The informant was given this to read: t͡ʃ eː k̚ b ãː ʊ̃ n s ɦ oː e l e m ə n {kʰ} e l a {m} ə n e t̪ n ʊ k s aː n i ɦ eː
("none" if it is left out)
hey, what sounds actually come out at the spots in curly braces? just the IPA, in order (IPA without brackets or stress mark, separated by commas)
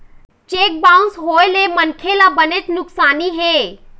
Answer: kʰ, b